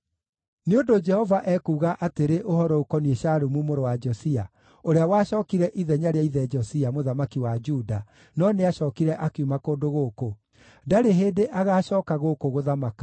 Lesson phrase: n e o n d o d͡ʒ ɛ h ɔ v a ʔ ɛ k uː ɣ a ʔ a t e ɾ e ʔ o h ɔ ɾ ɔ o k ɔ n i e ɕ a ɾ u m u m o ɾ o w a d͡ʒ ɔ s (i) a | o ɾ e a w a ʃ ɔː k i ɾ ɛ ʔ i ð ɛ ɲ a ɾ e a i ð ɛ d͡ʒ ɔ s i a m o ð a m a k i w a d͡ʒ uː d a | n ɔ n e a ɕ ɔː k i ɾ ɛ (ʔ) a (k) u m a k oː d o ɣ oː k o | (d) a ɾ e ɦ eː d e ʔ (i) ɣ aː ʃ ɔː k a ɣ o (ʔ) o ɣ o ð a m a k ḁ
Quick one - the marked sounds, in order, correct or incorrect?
correct, correct, correct, correct, incorrect: a, incorrect: k

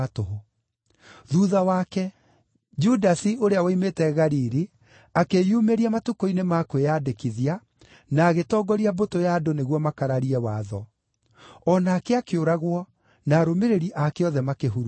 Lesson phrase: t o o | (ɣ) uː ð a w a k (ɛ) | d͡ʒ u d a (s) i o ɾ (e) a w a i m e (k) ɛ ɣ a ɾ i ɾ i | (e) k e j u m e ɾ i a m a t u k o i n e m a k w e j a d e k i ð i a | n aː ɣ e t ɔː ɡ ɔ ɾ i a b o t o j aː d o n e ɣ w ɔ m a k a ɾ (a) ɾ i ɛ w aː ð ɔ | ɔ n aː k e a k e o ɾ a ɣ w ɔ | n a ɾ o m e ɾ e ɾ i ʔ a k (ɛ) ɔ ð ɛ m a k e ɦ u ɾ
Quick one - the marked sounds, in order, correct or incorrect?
incorrect: ð, correct, correct, correct, incorrect: t, incorrect: a, correct, incorrect: e

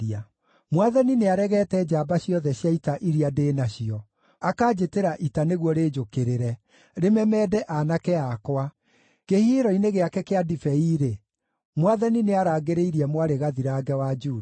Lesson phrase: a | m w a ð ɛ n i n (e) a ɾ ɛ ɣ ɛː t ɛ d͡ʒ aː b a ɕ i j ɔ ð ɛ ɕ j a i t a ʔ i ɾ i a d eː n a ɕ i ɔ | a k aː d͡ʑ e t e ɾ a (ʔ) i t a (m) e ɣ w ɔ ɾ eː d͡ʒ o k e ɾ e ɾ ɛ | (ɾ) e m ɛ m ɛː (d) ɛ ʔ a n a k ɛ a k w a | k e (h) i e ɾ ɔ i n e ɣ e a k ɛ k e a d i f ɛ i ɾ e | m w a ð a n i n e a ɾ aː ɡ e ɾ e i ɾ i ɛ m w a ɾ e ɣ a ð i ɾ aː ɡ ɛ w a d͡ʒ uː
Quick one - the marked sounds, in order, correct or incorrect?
correct, correct, incorrect: n, correct, correct, correct

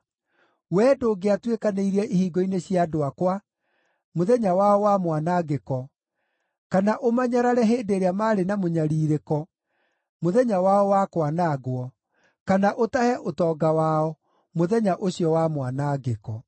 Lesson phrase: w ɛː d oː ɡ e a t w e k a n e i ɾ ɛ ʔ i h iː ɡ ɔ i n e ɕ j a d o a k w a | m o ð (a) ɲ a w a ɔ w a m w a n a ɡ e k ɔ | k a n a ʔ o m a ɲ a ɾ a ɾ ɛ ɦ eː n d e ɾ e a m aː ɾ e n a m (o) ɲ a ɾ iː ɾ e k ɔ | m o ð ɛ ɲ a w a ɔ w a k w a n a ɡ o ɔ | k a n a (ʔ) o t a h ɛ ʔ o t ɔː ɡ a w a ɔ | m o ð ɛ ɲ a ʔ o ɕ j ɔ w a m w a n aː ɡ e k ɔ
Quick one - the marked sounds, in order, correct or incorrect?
incorrect: ɛ, correct, correct

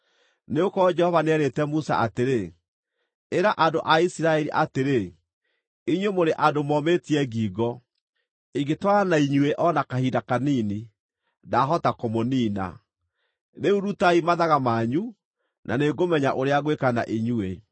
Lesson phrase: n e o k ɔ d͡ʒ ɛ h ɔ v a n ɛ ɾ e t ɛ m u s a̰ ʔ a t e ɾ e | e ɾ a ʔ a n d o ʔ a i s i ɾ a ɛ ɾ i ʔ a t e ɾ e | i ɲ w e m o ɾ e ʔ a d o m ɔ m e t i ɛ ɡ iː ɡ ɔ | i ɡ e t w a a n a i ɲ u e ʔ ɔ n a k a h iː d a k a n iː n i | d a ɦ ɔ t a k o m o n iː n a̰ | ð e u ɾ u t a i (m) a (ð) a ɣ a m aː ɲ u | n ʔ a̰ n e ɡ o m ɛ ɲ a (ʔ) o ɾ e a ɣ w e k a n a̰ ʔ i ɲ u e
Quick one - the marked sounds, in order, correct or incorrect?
correct, correct, correct

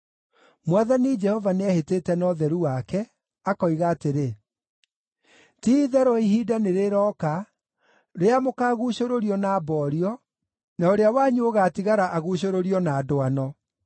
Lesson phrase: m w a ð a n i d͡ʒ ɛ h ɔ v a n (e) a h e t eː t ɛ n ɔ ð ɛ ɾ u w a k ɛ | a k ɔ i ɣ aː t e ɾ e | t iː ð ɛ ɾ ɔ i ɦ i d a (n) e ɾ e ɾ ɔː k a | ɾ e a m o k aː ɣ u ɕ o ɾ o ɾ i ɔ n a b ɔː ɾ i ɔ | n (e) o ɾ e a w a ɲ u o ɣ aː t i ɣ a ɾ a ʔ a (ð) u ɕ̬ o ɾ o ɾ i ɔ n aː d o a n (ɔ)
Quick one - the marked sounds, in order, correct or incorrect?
correct, correct, incorrect: a, incorrect: ɣ, correct

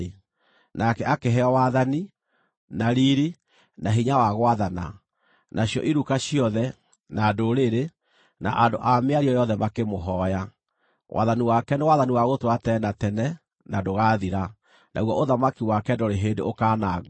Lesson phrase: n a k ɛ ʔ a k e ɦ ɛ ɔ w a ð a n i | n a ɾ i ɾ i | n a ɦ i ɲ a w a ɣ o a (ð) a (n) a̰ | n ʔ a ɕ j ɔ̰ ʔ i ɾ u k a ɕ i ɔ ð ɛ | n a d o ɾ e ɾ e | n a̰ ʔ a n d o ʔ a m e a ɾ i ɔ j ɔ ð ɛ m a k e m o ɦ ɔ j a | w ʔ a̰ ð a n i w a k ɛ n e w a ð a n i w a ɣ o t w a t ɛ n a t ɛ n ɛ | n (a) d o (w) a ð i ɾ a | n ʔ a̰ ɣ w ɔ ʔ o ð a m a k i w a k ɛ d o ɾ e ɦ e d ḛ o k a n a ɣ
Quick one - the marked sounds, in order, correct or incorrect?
correct, correct, correct, incorrect: ɣ

